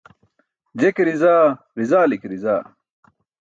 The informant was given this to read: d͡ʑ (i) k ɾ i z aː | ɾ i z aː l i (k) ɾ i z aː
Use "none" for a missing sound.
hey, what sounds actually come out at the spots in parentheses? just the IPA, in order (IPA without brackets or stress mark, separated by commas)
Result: e, k